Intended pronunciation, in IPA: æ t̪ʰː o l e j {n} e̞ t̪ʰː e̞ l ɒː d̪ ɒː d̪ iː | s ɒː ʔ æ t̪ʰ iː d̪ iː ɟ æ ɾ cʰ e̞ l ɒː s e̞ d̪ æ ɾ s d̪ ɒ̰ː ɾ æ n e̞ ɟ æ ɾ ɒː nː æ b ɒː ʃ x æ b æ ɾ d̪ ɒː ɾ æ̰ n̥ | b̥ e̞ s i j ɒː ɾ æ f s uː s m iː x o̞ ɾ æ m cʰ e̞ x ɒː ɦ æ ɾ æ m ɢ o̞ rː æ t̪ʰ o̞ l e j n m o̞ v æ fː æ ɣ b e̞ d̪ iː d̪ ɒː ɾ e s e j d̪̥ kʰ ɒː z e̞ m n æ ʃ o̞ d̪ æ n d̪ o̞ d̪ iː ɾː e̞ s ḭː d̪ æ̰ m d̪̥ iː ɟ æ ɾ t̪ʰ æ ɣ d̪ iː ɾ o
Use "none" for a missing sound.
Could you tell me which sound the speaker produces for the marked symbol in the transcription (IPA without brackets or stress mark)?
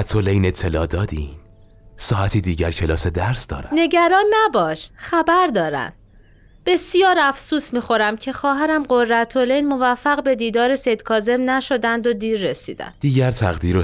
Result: n